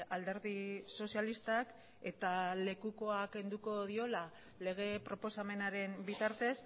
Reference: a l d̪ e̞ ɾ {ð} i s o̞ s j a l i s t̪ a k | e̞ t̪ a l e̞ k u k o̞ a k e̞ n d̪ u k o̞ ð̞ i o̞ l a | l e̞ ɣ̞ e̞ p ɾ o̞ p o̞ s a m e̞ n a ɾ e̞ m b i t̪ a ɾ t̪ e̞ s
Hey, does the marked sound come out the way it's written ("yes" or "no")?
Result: yes